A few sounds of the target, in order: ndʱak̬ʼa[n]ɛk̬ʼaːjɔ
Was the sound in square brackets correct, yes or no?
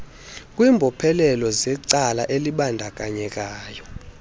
no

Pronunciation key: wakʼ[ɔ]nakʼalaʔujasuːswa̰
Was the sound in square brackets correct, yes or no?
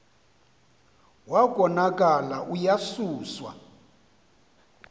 yes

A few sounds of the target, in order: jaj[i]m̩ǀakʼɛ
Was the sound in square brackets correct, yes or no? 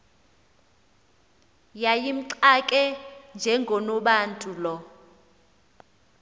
yes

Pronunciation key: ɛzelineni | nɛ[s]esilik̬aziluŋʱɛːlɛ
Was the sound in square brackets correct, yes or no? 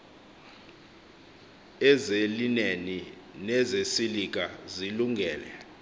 no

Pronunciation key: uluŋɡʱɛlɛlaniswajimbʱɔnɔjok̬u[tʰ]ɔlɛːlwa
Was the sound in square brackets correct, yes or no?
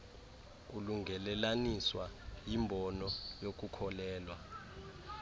no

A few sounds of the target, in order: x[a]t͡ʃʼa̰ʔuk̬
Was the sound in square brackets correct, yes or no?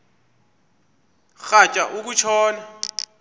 yes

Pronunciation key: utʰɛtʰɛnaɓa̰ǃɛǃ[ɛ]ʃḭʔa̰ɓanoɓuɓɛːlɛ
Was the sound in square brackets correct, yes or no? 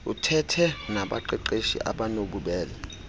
no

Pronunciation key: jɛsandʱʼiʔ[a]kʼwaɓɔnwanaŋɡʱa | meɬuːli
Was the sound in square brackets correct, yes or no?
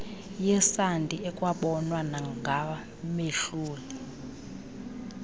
no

